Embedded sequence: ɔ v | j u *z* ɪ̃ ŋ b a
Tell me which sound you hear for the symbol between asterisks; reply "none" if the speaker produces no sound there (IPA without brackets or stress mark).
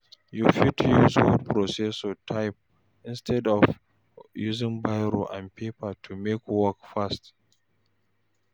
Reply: z